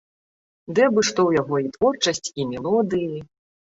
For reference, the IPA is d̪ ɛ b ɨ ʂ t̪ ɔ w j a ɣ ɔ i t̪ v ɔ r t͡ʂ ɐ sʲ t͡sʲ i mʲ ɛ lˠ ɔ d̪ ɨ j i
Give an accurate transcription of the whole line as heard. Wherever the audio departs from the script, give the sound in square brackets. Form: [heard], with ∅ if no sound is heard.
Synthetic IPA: d̪ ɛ b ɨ ʂ t̪ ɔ w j a ɣ ɔ i t̪ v ɔ r t͡ʂ ɐ sʲ t͡sʲ i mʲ ɛ lˠ ɔ d̪ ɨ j i